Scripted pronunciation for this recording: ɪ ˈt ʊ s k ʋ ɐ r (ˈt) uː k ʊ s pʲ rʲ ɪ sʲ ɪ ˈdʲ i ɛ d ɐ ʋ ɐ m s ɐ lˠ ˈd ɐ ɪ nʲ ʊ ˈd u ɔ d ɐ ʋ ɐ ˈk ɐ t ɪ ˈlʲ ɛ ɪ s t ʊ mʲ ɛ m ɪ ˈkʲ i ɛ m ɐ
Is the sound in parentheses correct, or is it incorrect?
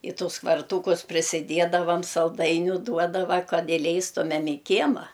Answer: correct